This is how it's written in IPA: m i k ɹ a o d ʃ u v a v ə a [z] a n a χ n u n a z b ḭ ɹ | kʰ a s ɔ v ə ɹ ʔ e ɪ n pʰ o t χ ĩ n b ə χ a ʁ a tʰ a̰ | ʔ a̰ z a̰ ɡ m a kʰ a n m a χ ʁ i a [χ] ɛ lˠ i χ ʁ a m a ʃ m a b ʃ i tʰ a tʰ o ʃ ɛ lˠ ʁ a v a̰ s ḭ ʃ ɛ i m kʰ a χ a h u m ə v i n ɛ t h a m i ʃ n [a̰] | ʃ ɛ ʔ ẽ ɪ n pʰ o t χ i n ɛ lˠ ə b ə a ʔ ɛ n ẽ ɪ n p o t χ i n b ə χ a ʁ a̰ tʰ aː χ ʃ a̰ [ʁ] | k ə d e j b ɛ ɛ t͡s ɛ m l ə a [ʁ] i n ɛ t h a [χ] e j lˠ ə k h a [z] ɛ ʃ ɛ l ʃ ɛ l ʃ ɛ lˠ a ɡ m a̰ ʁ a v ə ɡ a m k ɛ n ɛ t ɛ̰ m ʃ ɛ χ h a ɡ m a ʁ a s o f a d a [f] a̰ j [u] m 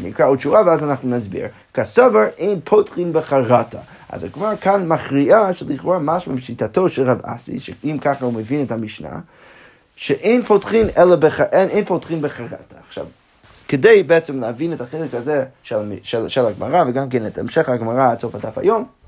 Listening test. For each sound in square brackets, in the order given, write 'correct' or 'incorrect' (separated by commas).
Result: correct, incorrect, correct, incorrect, incorrect, correct, correct, correct, incorrect